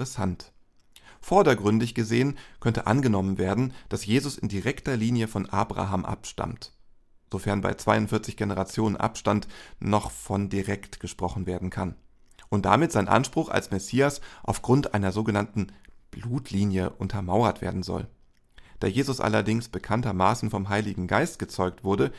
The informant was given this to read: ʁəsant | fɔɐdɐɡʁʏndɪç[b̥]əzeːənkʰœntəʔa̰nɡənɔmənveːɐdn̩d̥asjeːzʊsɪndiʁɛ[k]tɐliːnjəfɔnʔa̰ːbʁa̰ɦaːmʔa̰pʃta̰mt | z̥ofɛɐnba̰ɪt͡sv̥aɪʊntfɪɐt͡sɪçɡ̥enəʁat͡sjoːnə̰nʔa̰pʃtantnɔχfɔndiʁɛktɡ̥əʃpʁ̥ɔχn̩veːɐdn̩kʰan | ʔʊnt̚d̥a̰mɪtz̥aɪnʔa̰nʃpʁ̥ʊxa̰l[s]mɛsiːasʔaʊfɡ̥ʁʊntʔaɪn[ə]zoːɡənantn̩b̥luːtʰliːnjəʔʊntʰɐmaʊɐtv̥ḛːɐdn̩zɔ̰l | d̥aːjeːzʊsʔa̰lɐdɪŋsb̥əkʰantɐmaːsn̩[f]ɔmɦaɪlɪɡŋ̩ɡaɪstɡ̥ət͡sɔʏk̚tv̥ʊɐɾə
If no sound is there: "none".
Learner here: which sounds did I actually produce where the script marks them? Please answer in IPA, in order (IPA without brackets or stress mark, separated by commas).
ɡ̥, k, s, ɐ, f